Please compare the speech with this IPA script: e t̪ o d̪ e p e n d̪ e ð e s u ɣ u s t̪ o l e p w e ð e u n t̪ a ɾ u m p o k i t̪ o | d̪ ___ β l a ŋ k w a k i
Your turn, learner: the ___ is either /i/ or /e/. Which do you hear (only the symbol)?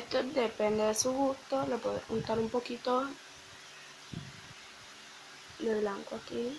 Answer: e